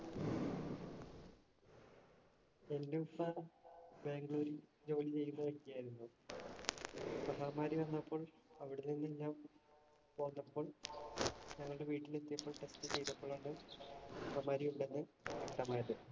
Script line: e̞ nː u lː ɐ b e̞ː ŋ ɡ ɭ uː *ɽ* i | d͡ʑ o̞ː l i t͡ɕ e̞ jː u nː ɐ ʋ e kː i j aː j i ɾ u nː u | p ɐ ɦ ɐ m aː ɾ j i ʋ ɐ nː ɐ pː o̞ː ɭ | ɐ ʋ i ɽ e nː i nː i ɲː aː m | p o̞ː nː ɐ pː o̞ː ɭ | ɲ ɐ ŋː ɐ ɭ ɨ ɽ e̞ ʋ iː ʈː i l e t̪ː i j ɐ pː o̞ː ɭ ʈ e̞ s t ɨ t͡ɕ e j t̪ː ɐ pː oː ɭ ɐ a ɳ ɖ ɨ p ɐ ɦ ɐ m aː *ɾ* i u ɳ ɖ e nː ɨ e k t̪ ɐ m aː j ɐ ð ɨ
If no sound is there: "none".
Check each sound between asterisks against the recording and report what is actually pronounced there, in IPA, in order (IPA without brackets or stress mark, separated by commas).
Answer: ɾ, ɾ